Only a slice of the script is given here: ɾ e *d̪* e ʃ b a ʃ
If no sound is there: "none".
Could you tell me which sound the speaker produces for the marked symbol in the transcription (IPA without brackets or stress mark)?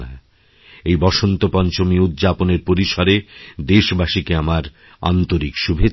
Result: d̪